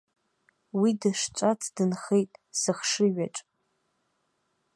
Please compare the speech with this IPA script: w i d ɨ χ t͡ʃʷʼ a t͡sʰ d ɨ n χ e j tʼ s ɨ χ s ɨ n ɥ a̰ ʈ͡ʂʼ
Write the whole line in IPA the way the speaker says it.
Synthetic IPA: w i d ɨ ʂ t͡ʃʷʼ a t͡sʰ d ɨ n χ e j tʼ s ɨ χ ʂ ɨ ɥ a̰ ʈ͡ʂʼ